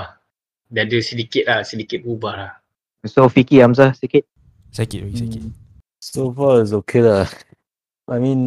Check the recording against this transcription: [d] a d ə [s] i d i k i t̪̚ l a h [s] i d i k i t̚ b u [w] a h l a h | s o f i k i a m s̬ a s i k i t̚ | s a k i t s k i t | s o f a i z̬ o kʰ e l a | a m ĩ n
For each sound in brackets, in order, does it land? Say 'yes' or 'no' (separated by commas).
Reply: yes, yes, yes, no